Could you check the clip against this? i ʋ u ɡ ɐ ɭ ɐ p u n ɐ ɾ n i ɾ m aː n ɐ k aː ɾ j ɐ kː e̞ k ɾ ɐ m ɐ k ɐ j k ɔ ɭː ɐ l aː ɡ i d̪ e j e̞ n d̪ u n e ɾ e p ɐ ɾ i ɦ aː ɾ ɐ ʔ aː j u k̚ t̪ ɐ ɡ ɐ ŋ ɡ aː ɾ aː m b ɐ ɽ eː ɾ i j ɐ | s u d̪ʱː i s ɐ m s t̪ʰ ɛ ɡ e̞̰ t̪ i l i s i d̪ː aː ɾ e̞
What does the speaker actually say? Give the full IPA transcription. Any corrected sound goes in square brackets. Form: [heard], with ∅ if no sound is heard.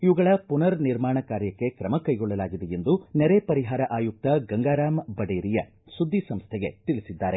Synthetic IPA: i ʋ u ɡ ɐ ɭ ɐ p u n ɐ ɾ n i ɾ m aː [ɳ] ɐ k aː ɾ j ɐ kː e̞ k ɾ ɐ m ɐ k ɐ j [ɡ] ɔ ɭː ɐ l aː ɡ i d̪ e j e̞ n d̪ u n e ɾ e p ɐ ɾ i ɦ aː ɾ ɐ ʔ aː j u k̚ t̪ ɐ ɡ ɐ ŋ ɡ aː ɾ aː m b ɐ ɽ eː ɾ i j ɐ | s u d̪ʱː i s ɐ m s t̪ʰ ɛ ɡ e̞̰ t̪ i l i s i d̪ː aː ɾ e̞